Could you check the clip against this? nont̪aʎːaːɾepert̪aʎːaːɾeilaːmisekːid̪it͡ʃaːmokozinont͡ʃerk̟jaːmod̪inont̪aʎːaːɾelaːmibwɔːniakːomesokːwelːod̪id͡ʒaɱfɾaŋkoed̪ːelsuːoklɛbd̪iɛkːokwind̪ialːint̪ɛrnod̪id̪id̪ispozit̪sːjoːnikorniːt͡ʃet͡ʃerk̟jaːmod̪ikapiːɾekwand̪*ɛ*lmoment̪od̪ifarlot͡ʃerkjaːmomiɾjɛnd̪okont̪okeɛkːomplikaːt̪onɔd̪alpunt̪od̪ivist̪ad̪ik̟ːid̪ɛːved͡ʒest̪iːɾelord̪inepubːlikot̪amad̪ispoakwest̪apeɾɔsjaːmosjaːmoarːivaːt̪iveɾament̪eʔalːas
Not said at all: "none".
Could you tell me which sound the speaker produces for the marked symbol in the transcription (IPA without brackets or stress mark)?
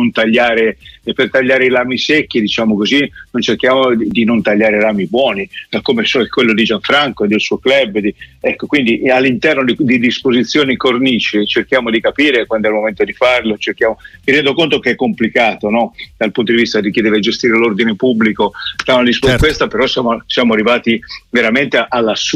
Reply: ɛ